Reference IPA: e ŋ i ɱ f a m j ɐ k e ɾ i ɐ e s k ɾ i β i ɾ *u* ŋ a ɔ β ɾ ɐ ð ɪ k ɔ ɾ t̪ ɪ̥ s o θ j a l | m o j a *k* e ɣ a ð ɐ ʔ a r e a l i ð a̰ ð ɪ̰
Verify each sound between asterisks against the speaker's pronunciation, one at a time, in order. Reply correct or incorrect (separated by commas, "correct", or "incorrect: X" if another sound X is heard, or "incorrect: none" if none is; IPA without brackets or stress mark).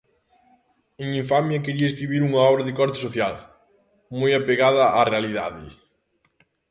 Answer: correct, incorrect: p